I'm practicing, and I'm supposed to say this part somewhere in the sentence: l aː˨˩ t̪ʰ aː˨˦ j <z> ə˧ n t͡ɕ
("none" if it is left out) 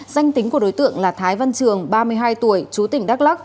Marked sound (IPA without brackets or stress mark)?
v